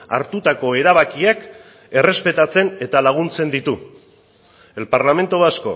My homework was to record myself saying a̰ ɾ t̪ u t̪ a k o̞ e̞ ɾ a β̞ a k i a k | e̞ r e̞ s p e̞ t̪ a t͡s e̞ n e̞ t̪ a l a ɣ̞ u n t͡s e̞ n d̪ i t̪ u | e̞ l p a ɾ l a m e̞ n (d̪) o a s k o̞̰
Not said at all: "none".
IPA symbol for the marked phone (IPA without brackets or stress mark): t̪